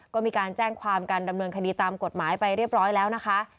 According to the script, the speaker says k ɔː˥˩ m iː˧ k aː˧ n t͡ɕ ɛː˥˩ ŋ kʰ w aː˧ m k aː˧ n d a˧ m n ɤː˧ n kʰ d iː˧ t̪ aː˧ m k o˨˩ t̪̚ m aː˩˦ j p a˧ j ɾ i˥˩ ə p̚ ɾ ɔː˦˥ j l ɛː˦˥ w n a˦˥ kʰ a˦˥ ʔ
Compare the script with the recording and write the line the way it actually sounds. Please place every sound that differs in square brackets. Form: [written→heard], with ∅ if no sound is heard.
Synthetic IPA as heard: k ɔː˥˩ m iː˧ k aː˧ n t͡ɕ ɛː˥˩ ŋ kʰ w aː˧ m k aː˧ n d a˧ m n ɤː˧ n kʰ d iː˧ t̪ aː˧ m k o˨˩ t̪̚ m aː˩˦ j p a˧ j ɾ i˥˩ ə p̚ ɾ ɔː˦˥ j l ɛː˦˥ w n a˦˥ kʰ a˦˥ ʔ